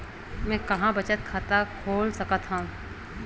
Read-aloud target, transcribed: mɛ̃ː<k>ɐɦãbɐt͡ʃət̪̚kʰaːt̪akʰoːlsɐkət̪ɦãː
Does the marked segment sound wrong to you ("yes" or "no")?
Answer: no